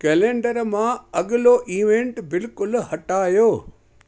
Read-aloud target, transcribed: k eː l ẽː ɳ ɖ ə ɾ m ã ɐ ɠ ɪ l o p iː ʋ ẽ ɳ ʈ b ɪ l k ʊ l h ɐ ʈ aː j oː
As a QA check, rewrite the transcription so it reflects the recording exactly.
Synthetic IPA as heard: k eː l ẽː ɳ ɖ ə ɾ m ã ɐ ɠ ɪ l o ʔ iː ʋ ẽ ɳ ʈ b ɪ l k ʊ l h ɐ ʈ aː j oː

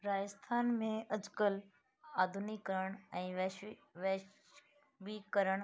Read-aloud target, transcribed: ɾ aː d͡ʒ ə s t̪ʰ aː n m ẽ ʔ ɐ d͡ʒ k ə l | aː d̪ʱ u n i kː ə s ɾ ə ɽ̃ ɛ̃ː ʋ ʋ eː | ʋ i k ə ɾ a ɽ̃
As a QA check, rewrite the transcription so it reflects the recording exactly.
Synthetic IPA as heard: ɾ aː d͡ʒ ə s t̪ʰ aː n m ẽ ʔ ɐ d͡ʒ k ə l | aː d̪ʱ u n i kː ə ɾ ə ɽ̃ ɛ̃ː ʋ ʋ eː | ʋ i k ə ɾ ə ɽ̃

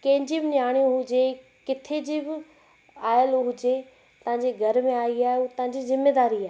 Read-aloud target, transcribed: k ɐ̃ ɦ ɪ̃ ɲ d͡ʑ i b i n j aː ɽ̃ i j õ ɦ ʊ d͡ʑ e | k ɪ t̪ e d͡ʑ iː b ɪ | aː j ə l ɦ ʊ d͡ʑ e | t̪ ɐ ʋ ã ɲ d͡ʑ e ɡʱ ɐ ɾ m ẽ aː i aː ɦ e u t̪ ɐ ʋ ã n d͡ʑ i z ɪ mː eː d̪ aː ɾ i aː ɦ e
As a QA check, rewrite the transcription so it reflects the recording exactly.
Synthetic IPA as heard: k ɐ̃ ɦ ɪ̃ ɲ d͡ʑ i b ɪ n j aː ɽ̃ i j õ ɦ ʊ d͡ʑ e | k ɪ t̪ʰ e d͡ʑ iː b ɪ | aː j ə l ɦ ʊ d͡ʑ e | t̪ ɐ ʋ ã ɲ d͡ʑ e ɡʱ ɐ ɾ m ẽ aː i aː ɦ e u t̪ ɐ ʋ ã ɲ d͡ʑ i z ɪ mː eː d̪ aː ɾ i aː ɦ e

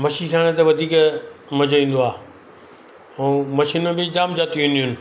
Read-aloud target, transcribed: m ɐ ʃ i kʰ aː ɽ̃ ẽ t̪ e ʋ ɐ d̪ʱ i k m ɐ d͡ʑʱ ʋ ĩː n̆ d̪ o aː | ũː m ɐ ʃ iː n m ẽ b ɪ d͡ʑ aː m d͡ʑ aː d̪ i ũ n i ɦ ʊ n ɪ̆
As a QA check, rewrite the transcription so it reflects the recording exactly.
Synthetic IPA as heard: m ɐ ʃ i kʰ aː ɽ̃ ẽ t̪ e ʋ ɐ d̪ʱ iː k m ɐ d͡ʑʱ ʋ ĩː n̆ d̪ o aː | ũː m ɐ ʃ iː n m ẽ b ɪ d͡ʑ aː m d͡ʑ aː t̪ i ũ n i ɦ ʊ n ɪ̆

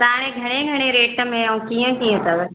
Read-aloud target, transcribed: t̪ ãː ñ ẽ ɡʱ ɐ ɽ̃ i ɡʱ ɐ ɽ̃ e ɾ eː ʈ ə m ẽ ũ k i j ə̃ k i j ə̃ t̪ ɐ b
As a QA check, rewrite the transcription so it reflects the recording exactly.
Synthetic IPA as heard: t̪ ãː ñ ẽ ɡʱ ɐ ɽ̃ e ɡʱ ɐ ɽ̃ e ɾ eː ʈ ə m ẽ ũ k i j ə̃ k i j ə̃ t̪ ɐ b

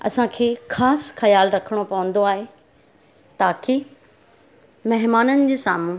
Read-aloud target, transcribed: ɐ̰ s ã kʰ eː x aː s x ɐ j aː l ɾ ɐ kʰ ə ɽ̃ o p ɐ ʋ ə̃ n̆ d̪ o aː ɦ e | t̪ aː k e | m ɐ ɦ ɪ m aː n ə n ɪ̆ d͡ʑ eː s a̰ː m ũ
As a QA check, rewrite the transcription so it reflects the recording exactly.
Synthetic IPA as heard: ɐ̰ s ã kʰ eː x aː s x ɐ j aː l ɾ ɐ kʰ ə ɽ̃ o p ɐ ʋ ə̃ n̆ d̪ o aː ɦ e | t̪ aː k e | m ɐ ɦ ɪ m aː n ə n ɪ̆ d͡ʑ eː s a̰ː m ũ

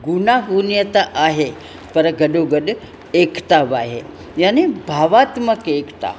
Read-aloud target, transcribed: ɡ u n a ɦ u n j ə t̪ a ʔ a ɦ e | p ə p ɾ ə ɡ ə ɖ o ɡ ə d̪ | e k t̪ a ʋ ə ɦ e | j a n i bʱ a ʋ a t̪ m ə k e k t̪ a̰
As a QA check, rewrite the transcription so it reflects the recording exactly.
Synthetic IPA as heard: ɡ u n a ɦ u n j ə t̪ a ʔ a ɦ e | p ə ɾ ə ɡ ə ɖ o ɡ ə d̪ | e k t̪ a ʋ a ɦ e | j a n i bʱ a ʋ a t̪ m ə k e k t̪ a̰

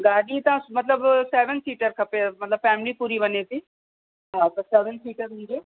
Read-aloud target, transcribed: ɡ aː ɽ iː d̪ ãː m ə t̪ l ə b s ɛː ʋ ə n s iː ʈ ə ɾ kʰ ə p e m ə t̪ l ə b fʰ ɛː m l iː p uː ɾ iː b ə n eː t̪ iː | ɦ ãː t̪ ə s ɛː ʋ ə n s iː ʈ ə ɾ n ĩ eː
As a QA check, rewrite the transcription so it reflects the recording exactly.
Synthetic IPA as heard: ɡ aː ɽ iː t̪ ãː m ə t̪ l ə b s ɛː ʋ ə n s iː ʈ ə ɾ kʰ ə p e m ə t̪ l ə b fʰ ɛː m l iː p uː ɾ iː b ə n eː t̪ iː | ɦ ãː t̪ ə s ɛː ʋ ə n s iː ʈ ə ɾ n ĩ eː

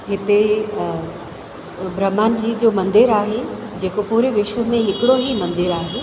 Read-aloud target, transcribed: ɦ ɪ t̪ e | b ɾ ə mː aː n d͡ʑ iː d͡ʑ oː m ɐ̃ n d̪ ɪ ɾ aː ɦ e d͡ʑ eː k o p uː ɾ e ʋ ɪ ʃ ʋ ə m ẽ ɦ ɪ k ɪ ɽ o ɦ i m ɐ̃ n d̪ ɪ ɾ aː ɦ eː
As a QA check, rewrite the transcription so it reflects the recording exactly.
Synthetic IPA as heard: ɦ ɪ t̪ e | b ɾ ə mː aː n d͡ʑ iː d͡ʑ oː m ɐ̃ n d̪ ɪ ɾ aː ɦ e d͡ʑ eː k o p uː ɾ e ʋ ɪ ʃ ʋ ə m ẽ ɦ ɪ k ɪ ɽ o ɦ i m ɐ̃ n d̪ ɪ ɾ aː ɦ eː

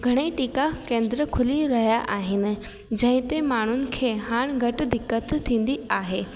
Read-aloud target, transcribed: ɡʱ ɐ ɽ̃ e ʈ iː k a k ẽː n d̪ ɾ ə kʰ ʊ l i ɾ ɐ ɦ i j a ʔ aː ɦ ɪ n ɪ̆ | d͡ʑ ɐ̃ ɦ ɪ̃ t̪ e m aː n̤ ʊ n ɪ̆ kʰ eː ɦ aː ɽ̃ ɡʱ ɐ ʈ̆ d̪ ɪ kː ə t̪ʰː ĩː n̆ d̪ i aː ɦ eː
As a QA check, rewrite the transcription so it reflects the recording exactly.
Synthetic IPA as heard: ɡʱ ɐ ɽ̃ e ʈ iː k a k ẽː n d̪ ɾ ə kʰ ʊ l i ɾ ɐ ɦ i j a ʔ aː ɦ ɪ n ɪ̆ | d͡ʑ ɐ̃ ɦ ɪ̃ t̪ e m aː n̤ ʊ n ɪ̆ kʰ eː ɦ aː ɽ̃ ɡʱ ɐ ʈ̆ d̪ ɪ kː ə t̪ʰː ĩː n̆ d̪ i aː ɦ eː

